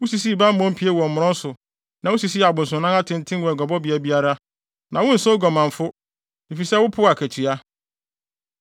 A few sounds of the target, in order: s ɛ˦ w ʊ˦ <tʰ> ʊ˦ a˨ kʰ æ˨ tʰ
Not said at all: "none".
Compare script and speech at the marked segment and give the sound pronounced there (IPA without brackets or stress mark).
pʰ